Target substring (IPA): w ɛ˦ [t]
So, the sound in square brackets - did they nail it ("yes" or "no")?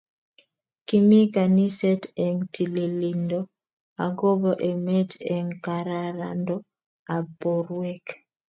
no